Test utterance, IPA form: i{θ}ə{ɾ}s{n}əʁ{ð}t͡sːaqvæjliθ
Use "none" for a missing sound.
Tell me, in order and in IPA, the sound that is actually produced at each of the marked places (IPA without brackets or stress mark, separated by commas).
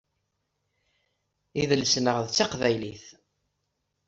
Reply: ð, l, n, ð